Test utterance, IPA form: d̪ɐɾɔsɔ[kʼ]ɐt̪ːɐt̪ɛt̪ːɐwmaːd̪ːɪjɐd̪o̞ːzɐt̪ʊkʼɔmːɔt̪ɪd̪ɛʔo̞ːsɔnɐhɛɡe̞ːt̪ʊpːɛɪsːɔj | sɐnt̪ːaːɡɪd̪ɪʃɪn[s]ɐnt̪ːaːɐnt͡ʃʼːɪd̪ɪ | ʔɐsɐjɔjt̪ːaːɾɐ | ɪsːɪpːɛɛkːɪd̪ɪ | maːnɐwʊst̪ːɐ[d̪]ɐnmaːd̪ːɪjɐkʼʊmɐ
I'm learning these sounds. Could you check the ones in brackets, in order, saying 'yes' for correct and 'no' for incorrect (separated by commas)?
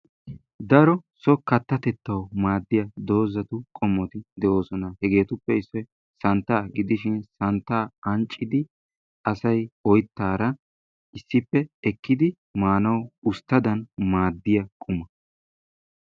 no, yes, yes